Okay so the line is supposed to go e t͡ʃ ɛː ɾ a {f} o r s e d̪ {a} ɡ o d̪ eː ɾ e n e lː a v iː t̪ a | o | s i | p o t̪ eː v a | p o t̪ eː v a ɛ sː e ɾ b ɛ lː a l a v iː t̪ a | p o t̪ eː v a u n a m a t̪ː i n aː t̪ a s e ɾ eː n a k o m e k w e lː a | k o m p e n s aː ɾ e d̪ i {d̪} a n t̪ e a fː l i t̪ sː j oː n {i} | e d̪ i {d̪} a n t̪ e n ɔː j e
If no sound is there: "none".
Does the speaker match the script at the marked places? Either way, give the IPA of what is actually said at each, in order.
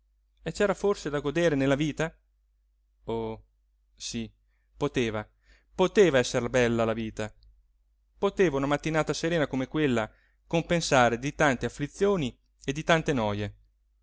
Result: f, a, t̪, i, t̪

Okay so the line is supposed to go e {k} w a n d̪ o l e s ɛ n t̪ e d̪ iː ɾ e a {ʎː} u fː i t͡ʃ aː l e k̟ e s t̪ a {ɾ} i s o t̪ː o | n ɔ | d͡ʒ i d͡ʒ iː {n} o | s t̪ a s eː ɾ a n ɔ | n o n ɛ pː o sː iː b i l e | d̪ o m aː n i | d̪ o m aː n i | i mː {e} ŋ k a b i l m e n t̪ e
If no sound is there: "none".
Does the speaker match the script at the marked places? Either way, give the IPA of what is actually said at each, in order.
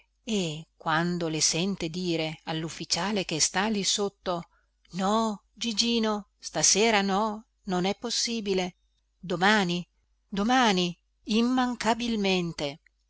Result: k, lː, l, n, a

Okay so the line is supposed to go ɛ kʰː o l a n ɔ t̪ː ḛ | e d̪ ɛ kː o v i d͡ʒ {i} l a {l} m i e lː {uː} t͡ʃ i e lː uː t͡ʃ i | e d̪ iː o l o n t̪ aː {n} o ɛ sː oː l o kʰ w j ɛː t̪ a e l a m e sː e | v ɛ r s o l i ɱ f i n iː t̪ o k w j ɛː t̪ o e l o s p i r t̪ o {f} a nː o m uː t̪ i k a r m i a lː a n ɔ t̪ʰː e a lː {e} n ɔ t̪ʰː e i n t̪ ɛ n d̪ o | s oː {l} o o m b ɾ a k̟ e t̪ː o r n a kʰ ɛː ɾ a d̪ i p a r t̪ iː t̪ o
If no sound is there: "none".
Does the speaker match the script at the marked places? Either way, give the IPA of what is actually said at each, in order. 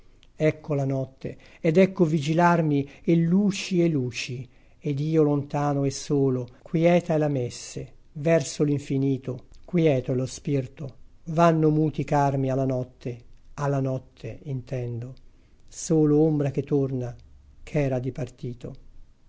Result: i, r, uː, n, v, a, l

